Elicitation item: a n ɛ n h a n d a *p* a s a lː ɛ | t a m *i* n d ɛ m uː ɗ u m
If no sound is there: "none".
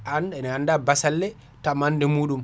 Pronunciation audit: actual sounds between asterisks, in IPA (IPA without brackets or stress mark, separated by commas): b, a